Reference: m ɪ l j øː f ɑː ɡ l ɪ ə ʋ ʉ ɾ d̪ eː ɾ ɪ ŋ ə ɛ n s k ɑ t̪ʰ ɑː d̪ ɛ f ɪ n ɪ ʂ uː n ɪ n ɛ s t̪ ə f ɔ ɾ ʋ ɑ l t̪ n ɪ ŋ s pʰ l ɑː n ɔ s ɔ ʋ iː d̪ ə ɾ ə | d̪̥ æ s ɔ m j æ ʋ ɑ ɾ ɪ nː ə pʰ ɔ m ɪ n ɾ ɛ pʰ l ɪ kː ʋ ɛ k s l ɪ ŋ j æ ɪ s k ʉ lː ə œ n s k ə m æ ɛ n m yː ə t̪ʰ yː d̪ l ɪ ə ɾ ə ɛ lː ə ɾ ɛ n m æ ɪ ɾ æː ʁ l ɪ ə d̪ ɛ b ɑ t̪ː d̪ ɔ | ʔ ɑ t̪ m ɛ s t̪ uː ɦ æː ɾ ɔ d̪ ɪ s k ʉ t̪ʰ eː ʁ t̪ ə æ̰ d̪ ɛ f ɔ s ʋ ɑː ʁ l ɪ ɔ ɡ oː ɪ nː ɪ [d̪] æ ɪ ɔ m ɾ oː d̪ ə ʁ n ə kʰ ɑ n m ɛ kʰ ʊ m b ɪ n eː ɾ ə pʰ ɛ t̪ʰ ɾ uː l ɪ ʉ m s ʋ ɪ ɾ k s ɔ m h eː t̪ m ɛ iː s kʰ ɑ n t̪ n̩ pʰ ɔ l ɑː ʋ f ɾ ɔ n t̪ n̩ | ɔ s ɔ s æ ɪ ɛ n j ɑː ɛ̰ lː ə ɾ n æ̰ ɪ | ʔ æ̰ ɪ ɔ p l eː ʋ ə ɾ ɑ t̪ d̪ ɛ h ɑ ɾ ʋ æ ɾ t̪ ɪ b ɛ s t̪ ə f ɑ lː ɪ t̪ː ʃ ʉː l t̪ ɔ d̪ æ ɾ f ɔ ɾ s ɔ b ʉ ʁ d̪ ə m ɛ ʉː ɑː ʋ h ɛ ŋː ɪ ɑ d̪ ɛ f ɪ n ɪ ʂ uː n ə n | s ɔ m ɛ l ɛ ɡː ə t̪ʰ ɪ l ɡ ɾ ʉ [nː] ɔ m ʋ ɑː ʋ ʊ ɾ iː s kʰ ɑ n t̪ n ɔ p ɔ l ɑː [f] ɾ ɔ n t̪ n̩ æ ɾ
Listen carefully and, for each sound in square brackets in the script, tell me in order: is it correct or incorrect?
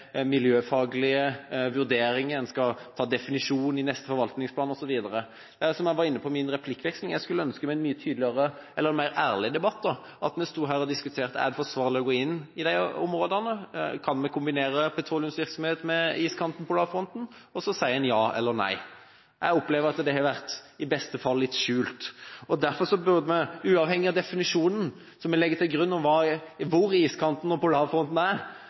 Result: correct, correct, correct

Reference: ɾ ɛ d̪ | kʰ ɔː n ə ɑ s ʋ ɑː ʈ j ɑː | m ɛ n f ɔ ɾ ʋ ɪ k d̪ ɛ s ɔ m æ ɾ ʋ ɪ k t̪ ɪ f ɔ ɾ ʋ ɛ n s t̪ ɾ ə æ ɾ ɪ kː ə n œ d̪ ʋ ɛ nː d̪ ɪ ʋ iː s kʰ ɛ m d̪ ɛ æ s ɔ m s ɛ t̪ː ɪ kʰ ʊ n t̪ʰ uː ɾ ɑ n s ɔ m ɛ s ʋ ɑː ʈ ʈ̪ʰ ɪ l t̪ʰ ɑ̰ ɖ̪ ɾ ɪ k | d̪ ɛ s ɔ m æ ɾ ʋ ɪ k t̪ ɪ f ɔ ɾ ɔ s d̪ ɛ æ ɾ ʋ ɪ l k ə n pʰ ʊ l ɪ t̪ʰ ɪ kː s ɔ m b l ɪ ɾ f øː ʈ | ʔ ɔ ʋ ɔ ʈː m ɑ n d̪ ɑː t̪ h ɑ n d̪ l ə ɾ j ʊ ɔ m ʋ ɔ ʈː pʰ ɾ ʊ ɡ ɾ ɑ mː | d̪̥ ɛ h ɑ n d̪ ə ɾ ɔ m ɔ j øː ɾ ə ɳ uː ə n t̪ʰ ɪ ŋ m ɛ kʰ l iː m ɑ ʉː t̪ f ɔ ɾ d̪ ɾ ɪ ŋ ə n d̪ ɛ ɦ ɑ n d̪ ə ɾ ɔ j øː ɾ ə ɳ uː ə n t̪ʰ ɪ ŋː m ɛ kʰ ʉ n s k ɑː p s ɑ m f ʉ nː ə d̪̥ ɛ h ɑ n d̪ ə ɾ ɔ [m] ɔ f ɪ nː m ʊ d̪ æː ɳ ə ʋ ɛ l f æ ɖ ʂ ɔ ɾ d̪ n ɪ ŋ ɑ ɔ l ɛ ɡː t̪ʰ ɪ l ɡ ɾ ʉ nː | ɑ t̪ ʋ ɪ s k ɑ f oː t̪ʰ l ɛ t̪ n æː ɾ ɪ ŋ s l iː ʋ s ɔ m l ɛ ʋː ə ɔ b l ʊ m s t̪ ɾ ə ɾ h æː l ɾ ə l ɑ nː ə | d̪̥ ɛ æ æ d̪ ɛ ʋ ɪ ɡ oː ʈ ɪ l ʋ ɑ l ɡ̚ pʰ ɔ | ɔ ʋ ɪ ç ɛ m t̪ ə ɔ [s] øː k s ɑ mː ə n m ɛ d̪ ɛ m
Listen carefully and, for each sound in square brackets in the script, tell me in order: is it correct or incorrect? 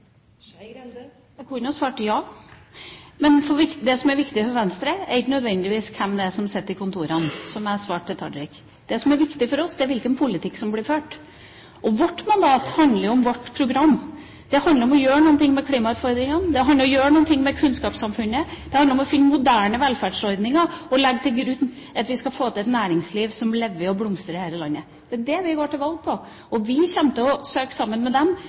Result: correct, correct

